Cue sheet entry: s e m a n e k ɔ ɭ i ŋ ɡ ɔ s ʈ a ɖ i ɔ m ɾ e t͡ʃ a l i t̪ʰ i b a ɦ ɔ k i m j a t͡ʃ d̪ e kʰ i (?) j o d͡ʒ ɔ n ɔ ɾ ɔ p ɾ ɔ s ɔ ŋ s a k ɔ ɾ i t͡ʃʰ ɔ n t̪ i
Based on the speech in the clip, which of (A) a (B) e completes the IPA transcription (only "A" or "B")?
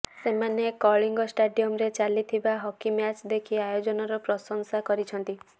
A